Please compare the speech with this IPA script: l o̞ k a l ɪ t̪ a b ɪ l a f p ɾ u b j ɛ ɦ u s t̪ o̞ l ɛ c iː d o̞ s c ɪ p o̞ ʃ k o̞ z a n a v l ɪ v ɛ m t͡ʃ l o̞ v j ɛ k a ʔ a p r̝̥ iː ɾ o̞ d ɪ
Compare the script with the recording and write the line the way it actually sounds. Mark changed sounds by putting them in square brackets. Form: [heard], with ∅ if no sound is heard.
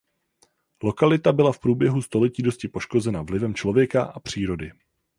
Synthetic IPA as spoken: l o̞ k a l ɪ t̪ a b ɪ l a f p ɾ [uː] b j ɛ ɦ u s t̪ o̞ l ɛ c iː d o̞ s c ɪ p o̞ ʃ k o̞ z [ɛ] n a v l ɪ v ɛ m t͡ʃ l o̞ v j ɛ k a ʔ a p r̝̥ iː ɾ o̞ d ɪ